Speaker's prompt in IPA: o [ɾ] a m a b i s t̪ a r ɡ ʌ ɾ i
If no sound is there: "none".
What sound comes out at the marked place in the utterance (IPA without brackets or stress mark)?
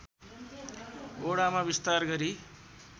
ɽ